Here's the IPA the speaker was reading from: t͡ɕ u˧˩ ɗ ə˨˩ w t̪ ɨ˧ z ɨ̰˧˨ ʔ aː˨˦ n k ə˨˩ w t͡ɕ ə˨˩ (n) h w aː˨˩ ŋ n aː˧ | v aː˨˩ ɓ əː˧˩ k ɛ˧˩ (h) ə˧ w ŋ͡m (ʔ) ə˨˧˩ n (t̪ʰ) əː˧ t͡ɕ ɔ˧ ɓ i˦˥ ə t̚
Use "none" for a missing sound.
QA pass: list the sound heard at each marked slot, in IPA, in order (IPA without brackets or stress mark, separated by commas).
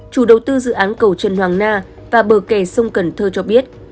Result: n, s, k, t̪ʰ